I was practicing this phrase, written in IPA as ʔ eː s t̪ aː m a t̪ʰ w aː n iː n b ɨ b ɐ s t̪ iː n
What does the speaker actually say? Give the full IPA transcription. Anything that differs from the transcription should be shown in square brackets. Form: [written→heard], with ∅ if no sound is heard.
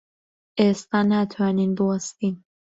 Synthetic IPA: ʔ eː s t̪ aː [m→n] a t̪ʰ w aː n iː n b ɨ [b→w] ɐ s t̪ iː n